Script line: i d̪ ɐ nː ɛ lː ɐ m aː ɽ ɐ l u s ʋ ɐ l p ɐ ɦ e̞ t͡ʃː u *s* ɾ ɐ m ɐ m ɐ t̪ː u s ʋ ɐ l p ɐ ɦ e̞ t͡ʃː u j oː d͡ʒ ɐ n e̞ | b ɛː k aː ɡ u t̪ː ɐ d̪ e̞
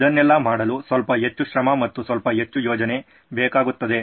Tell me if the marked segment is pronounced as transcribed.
no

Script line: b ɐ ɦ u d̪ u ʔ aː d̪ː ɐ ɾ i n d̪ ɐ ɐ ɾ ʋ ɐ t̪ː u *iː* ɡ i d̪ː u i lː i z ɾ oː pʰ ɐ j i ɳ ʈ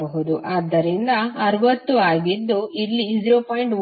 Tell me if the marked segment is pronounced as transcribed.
no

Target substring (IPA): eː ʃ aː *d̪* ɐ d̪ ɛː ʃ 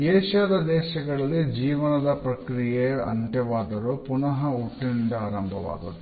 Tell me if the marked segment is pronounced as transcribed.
yes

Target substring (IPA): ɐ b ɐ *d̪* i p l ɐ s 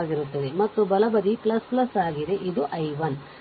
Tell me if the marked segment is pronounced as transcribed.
yes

